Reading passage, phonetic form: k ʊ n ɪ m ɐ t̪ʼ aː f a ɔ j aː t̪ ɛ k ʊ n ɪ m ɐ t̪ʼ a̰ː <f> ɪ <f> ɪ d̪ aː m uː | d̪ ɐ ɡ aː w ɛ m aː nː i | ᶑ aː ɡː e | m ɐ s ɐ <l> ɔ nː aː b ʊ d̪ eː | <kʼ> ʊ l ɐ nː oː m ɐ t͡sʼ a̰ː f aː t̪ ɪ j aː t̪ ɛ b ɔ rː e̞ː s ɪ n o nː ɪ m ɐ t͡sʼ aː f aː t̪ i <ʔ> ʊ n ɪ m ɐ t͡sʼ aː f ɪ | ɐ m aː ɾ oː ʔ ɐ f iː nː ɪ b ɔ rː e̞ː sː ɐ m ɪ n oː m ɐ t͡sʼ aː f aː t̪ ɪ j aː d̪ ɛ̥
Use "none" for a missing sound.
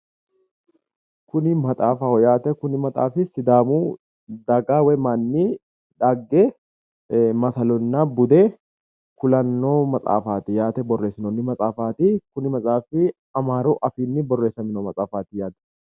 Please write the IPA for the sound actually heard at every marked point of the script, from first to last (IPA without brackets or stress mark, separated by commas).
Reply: f, s, l, k, k